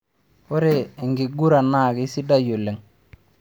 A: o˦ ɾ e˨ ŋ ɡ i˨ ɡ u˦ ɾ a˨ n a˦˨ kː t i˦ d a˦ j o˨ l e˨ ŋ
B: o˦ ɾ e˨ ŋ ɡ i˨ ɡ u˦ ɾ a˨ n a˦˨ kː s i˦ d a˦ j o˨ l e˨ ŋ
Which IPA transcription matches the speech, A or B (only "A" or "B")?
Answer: B